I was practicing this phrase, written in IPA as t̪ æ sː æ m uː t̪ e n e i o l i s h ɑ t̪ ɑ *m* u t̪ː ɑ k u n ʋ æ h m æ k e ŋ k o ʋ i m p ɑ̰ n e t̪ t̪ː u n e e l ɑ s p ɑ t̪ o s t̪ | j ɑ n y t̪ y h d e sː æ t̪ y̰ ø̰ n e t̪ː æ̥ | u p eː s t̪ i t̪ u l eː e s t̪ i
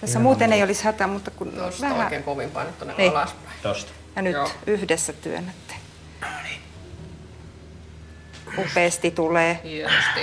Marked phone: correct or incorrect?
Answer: correct